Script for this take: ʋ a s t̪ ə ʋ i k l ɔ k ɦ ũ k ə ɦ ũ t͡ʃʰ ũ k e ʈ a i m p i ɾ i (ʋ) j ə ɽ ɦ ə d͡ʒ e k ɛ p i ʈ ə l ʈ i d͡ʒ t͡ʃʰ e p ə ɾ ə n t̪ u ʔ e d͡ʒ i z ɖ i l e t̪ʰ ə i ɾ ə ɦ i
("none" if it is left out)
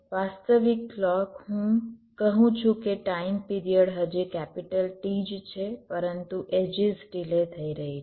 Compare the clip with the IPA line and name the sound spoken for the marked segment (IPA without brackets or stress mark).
none